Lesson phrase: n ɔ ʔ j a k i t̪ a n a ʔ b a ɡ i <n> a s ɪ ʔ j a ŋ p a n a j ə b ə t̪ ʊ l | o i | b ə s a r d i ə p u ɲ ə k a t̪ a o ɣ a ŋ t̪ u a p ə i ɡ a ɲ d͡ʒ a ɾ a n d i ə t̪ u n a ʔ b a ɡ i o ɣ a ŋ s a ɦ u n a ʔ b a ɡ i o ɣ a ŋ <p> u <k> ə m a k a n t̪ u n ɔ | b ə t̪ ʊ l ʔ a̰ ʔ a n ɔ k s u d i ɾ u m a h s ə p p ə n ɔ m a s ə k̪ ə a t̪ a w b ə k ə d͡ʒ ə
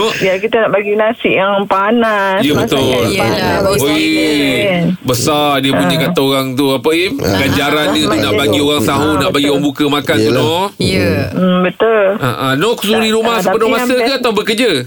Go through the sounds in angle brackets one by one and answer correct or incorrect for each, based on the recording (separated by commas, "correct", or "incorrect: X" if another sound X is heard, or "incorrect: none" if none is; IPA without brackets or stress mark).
correct, incorrect: b, correct